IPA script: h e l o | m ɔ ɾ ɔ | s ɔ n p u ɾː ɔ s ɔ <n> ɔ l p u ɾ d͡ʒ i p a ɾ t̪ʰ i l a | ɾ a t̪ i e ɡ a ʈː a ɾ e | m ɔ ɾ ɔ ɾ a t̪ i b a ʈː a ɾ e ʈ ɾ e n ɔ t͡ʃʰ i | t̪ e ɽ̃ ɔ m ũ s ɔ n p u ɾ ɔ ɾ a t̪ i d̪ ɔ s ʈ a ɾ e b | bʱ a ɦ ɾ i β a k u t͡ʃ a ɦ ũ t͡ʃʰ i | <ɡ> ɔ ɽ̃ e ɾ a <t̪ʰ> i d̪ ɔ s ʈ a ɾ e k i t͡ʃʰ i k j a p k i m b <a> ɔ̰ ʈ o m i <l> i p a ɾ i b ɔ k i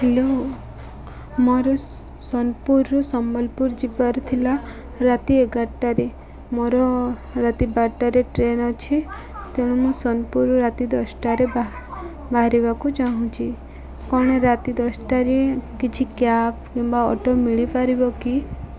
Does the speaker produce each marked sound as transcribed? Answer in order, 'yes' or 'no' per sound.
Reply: no, no, no, yes, no

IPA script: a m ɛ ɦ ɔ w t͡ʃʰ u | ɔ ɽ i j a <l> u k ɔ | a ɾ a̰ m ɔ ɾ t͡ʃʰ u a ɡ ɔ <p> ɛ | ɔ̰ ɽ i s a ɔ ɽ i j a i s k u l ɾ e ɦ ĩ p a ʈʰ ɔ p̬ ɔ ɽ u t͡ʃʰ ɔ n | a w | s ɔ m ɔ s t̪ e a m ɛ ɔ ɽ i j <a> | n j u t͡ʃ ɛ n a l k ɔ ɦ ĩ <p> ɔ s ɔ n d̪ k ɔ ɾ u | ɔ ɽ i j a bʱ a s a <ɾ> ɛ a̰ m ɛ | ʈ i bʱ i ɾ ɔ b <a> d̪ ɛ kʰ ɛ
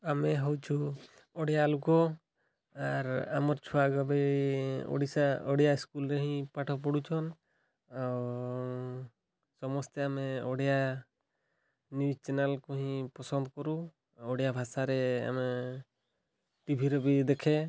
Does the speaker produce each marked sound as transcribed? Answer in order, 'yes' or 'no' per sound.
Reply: yes, no, yes, yes, yes, no

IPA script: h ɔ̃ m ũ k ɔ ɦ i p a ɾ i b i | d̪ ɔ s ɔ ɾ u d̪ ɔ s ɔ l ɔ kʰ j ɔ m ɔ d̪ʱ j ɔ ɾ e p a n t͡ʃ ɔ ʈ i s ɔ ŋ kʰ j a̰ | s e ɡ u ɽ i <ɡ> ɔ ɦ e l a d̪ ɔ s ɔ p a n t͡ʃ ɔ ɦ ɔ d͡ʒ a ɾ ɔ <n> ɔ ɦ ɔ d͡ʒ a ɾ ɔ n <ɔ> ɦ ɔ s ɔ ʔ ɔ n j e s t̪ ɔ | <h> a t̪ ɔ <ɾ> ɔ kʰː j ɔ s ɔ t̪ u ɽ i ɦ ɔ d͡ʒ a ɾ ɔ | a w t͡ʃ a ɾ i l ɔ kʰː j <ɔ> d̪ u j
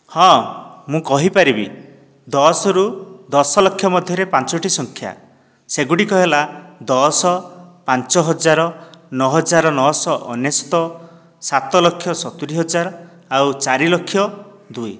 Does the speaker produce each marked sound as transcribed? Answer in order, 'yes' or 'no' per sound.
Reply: no, yes, yes, no, no, yes

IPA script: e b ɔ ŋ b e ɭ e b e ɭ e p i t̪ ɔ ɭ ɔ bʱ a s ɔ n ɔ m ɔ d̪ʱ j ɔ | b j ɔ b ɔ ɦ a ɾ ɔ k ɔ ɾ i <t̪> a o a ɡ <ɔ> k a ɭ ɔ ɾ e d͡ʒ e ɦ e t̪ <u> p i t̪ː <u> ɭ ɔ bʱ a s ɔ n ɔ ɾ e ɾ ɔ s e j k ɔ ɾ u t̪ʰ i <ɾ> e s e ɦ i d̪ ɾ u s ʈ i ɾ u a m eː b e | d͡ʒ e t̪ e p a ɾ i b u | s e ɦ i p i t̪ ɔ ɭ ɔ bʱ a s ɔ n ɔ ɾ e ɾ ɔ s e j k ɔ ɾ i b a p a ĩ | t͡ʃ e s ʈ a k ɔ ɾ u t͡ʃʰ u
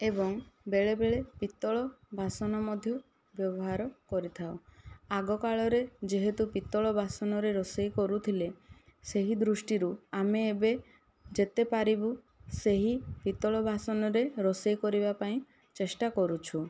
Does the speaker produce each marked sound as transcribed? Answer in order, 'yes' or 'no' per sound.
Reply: no, yes, yes, no, no

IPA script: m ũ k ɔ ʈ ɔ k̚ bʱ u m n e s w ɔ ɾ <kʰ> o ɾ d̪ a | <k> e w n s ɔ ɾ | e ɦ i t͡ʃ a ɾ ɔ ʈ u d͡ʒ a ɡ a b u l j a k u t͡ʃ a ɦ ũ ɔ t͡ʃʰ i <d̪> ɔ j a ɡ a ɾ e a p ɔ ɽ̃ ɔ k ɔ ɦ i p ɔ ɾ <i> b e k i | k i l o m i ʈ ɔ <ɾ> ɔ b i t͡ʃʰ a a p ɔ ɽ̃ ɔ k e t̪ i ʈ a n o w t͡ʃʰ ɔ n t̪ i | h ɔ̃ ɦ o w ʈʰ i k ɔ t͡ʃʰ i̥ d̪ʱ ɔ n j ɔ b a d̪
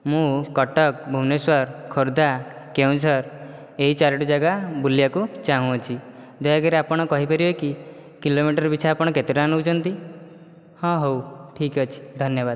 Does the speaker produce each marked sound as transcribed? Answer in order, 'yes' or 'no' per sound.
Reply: yes, yes, yes, yes, yes

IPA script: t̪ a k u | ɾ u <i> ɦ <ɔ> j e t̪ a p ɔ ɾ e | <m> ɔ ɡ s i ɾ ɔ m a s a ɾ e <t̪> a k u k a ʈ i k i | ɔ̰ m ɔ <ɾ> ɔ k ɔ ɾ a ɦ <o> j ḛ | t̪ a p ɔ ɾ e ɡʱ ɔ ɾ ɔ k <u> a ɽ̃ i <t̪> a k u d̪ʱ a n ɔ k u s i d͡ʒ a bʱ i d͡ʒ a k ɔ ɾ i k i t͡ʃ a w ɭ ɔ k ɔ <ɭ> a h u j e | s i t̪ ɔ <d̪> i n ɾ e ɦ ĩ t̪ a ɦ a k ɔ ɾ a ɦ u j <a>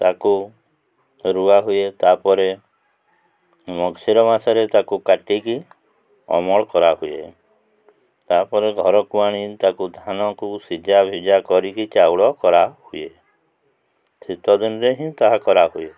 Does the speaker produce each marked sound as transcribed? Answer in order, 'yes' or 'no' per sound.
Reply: no, no, yes, yes, no, no, yes, yes, no, yes, no

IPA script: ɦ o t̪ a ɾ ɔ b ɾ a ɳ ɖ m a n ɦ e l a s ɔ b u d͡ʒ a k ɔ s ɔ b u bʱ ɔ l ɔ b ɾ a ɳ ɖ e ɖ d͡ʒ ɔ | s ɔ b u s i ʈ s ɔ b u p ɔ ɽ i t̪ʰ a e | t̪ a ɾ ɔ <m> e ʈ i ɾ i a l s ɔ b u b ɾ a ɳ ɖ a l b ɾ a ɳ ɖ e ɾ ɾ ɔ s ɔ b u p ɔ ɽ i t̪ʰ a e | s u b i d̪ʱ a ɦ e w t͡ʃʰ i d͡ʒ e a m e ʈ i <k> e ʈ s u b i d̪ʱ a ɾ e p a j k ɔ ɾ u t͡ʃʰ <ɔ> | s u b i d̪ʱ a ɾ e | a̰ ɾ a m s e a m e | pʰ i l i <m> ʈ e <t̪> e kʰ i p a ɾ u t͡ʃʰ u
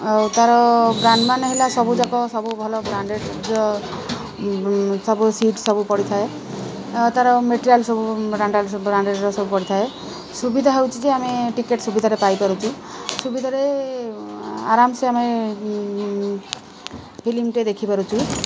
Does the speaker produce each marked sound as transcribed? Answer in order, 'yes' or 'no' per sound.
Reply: yes, yes, no, yes, no

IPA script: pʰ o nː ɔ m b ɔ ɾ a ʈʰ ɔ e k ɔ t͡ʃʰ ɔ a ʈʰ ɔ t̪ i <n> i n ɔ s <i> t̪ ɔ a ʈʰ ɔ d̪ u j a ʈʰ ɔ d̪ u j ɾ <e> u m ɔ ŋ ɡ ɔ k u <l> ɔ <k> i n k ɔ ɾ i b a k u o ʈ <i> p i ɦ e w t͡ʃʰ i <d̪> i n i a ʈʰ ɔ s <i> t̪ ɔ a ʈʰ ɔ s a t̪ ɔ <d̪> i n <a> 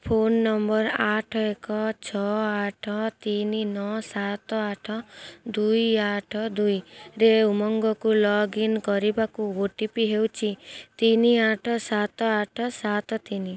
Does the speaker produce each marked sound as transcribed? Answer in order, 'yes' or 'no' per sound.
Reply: yes, no, yes, yes, no, yes, no, no, no, no

